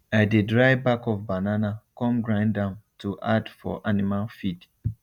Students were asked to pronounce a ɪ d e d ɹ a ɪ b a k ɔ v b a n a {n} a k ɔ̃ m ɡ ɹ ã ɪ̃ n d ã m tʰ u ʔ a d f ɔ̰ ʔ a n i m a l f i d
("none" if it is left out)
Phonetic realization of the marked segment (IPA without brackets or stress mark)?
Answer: n